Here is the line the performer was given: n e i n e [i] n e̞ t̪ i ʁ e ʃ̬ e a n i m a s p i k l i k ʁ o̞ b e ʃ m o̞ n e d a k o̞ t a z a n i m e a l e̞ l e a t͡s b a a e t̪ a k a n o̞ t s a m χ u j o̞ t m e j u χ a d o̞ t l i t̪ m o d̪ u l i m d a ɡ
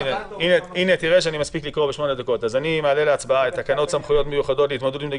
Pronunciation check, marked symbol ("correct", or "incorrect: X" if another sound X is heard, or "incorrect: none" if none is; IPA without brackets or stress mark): correct